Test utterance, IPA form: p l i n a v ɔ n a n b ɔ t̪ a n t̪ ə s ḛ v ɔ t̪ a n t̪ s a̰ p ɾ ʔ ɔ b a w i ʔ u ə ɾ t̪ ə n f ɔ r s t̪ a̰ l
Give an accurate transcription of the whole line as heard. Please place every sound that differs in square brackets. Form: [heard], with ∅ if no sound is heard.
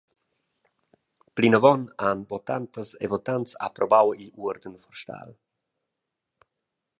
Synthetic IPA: p l i n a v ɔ n a n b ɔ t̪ a n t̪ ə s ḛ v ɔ t̪ a n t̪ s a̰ p ɾ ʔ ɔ b a w i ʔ u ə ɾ [d̪] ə n f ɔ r [ʃ] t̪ a̰ l